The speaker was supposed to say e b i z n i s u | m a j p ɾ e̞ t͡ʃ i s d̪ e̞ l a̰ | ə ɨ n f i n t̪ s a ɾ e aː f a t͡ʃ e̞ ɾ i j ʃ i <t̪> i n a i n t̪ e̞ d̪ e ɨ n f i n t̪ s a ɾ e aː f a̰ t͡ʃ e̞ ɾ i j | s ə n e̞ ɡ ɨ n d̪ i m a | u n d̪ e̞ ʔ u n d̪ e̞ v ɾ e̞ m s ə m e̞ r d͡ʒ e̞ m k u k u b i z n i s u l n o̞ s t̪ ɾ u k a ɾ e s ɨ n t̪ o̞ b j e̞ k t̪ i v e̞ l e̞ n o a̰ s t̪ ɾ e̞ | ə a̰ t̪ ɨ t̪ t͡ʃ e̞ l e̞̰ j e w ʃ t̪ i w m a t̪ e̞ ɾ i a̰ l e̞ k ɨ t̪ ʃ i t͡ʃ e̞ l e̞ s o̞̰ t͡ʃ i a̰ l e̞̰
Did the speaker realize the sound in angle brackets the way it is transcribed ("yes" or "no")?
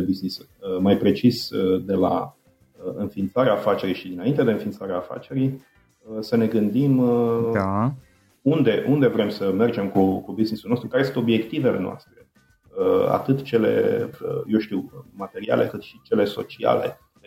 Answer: no